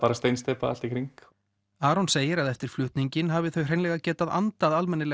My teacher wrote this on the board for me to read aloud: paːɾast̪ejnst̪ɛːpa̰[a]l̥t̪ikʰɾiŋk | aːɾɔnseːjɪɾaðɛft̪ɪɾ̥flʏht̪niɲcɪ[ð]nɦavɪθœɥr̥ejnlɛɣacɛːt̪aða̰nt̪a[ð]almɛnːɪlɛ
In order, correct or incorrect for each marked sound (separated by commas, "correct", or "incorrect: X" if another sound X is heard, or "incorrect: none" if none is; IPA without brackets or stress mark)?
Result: correct, incorrect: none, correct